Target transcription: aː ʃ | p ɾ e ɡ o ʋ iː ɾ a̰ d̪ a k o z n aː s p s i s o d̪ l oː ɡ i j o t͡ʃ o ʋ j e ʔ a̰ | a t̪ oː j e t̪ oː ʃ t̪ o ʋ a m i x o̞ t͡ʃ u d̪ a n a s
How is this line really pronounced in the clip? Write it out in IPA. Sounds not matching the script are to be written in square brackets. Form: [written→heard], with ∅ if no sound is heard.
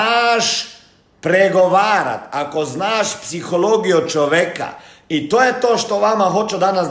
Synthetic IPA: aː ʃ | p ɾ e ɡ o ʋ [iː→aː] ɾ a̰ [d̪→t̪] a k o z n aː [s→ʃ] p s i [s→x] o [d̪→∅] l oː ɡ i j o t͡ʃ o ʋ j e [ʔ→k] a̰ | [a→i] t̪ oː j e t̪ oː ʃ t̪ o ʋ a m [i→a] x o̞ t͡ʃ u d̪ a n a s